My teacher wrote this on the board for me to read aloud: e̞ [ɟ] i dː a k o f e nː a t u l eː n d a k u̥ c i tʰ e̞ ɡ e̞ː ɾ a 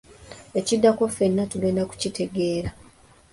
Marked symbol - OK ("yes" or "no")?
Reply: no